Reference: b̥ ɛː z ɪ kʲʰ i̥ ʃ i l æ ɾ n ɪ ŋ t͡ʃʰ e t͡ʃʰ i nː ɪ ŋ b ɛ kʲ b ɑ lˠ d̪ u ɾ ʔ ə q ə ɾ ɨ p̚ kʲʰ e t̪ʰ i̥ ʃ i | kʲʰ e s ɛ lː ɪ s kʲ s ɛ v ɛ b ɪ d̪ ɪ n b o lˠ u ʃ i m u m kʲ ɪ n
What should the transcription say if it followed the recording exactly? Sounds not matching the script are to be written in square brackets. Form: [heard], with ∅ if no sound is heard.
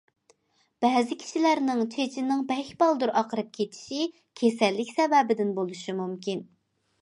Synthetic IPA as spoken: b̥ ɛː z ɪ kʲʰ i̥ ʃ i l æ ɾ n ɪ ŋ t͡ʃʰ e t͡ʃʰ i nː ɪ ŋ b ɛ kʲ b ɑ lˠ d̪ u ɾ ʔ [ɑ] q ə ɾ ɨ p̚ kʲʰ e t̪ʰ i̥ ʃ i | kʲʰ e s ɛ lː ɪ [∅] kʲ s ɛ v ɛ b ɪ d̪ ɪ n b o lˠ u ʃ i m u m kʲ [i] n